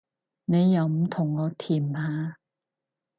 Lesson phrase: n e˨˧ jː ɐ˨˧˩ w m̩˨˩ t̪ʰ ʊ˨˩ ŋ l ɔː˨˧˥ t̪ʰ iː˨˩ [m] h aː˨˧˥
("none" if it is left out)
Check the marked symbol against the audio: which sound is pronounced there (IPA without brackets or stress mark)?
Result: m